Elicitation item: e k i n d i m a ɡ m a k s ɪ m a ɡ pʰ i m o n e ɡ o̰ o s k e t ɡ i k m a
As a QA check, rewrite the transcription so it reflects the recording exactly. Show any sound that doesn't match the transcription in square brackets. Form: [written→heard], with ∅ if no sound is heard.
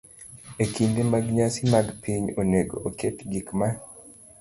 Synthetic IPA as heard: e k i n d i m a ɡ [m→ɲ] a [k→∅] s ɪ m a ɡ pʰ i [m→ɲ] o n e ɡ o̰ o [s→∅] k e t ɡ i k m a